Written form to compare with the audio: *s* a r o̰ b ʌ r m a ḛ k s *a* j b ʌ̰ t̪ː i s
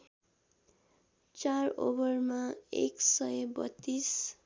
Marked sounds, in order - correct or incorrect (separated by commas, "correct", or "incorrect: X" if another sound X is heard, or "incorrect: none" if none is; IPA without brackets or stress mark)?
incorrect: t͡s, incorrect: ʌ